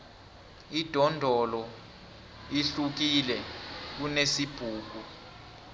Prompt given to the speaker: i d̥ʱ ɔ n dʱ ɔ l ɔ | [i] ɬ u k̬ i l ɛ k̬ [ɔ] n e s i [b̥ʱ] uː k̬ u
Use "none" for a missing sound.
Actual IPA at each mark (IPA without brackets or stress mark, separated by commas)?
i, u, b̥ʱ